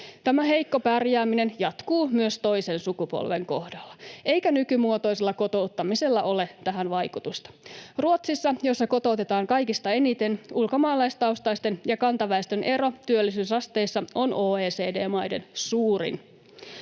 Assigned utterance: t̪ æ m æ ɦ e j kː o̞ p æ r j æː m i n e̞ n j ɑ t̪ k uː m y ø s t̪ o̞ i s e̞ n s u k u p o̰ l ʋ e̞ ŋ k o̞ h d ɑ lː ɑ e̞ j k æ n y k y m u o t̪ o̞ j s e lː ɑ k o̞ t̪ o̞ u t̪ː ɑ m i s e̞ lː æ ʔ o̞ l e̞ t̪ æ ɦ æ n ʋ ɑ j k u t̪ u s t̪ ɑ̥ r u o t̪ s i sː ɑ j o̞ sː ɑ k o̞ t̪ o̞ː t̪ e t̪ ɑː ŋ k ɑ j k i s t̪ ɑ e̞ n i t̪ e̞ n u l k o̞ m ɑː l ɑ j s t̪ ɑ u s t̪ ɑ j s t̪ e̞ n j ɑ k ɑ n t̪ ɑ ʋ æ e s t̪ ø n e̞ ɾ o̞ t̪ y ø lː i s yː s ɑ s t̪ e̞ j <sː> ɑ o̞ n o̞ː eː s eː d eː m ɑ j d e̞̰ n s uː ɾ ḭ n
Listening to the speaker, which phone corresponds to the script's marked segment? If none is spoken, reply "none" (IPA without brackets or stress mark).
sː